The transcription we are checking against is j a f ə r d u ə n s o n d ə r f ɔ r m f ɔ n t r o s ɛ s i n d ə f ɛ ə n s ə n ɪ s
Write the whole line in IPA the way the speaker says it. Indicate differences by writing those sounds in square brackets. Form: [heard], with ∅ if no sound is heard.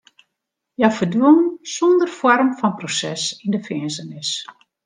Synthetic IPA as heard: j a f ə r d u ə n s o n d ə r f ɔ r m f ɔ n [p] r o s ɛ s i n d ə f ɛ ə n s ə n ɪ s